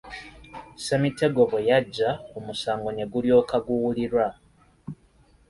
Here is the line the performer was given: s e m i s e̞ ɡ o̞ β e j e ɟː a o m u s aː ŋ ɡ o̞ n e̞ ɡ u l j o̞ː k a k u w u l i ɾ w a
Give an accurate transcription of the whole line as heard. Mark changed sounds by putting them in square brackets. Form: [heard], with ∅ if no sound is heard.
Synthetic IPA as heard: s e m i [t] e̞ ɡ o̞ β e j [a] ɟː a o m u s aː ŋ ɡ o̞ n e̞ ɡ u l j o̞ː k a [ɡ] u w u l i ɾ w a